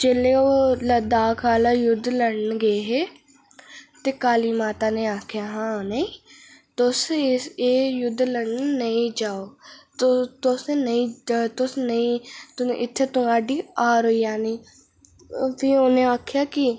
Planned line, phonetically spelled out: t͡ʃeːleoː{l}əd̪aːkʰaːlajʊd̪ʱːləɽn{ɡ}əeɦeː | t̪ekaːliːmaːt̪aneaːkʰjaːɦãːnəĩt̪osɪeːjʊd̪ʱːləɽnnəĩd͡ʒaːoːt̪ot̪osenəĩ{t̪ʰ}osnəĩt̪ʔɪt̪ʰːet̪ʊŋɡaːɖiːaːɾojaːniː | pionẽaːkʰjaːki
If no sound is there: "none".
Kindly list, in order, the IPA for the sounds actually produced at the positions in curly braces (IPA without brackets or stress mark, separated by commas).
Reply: l, ɡ, t̪